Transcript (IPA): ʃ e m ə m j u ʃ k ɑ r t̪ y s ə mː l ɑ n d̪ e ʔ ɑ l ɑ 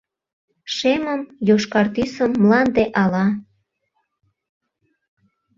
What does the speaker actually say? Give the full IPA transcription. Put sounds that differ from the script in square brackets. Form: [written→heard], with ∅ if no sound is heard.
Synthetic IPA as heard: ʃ e m ə m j [u→o] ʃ k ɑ r t̪ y s ə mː l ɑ n d̪ e ʔ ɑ l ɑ